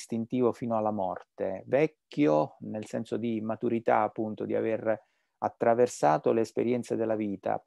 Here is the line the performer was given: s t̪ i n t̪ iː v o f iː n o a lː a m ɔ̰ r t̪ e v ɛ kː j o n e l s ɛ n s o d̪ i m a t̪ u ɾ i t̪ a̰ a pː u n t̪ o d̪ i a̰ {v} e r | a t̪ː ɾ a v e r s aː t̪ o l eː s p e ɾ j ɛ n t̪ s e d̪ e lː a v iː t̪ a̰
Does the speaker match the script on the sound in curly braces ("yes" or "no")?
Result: yes